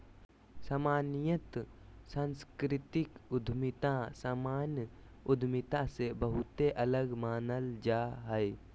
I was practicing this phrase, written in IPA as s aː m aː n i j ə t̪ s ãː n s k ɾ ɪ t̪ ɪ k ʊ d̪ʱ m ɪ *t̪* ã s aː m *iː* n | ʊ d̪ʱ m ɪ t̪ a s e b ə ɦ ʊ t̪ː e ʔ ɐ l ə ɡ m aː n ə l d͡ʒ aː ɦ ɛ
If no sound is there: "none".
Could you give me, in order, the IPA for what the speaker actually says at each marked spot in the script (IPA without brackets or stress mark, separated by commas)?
t̪, aː